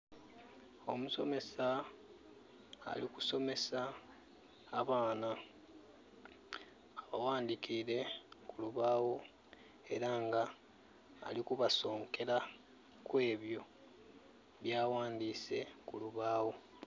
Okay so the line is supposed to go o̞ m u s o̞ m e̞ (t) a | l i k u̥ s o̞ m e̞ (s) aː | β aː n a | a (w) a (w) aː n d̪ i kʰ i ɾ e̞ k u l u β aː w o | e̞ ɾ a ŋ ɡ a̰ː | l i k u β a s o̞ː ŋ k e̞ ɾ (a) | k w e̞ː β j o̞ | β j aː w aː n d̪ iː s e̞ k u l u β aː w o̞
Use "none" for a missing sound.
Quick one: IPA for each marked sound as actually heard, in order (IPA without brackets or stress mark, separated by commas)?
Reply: s, s, β, w, a